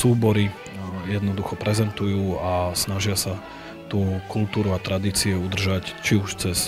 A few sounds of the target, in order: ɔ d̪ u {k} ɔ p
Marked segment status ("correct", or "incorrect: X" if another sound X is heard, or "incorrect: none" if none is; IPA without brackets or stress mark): incorrect: x